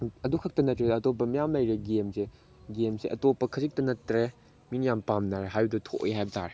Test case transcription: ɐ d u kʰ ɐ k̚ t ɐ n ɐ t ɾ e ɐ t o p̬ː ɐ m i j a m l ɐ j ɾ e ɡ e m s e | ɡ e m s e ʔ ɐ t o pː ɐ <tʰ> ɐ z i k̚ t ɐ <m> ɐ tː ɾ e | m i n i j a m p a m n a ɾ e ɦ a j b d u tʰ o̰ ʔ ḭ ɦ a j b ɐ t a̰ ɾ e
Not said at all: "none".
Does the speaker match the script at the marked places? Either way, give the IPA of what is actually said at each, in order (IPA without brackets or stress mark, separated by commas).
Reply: kʰ, n